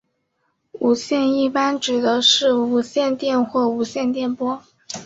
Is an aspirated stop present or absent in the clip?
absent